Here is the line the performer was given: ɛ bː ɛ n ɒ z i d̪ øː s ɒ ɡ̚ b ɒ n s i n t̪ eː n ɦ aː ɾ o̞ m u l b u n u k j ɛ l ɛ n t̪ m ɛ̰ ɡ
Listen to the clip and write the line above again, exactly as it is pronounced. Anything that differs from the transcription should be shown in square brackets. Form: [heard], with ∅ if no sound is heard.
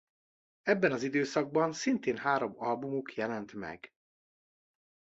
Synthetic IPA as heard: ɛ bː ɛ n ɒ z i d̪ øː s ɒ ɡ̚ b ɒ n s i n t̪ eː n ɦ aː ɾ o̞ m [ɒ] l b u [m] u k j ɛ l ɛ n t̪ m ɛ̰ ɡ